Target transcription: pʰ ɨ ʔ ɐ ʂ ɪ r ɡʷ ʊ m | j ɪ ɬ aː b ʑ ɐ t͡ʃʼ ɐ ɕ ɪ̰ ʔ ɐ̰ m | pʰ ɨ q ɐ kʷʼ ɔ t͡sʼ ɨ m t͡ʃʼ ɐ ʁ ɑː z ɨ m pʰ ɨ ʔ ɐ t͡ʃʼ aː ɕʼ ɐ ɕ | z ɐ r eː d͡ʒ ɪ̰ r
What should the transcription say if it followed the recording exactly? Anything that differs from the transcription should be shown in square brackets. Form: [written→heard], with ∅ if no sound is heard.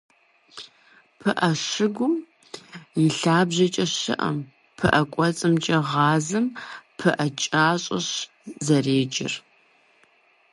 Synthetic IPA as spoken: pʰ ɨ ʔ ɐ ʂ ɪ [r→∅] ɡʷ ʊ m | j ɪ ɬ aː b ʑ ɐ t͡ʃʼ ɐ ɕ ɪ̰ ʔ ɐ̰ m | pʰ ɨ [q→ʔ] ɐ kʷʼ ɔ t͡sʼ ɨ m t͡ʃʼ ɐ ʁ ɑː z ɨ m pʰ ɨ ʔ ɐ t͡ʃʼ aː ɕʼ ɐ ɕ | z ɐ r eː d͡ʒ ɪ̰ r